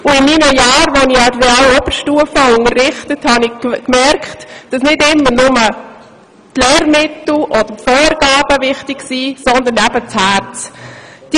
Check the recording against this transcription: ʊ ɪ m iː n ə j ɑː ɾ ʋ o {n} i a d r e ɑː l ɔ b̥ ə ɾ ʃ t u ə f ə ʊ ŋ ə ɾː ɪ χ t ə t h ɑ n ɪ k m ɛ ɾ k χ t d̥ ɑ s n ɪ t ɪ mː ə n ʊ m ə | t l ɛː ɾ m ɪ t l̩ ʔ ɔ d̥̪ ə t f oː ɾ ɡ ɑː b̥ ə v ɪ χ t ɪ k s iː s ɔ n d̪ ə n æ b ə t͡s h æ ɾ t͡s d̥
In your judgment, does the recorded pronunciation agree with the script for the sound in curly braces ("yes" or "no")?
yes